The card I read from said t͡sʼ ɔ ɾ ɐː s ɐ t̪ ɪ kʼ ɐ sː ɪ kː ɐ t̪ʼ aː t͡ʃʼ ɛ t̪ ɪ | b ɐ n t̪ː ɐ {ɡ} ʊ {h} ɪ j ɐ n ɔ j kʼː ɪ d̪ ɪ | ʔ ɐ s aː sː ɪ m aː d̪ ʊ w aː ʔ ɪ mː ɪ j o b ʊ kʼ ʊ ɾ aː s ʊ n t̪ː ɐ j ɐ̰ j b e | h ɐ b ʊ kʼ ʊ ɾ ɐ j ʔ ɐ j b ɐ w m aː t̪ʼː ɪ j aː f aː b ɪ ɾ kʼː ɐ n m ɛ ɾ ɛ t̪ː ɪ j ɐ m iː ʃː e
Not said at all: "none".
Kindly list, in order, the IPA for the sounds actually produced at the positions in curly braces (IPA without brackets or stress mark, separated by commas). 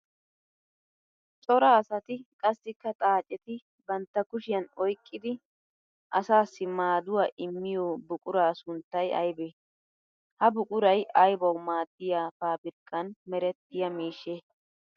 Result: k, ʃ